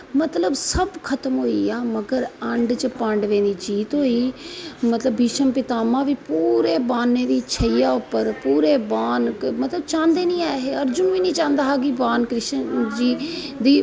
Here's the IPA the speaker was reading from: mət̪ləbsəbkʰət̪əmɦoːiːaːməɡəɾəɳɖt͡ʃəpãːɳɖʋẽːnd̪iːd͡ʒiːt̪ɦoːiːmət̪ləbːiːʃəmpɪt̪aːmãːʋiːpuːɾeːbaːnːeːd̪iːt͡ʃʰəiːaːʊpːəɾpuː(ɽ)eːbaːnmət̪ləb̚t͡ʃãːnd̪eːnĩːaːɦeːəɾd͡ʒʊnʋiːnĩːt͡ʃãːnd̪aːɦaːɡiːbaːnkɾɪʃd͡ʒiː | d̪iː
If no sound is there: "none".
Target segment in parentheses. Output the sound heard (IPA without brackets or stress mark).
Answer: ɾ